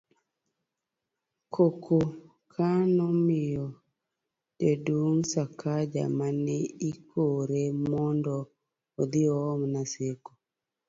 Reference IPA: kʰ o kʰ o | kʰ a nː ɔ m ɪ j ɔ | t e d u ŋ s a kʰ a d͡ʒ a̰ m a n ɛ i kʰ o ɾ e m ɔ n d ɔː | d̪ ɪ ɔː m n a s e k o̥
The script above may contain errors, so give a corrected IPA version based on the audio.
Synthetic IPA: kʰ o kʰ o | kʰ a n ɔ m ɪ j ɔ | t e d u ŋ s a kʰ a d͡ʒ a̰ m a n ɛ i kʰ o ɾ e m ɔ n d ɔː | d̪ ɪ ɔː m n a s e k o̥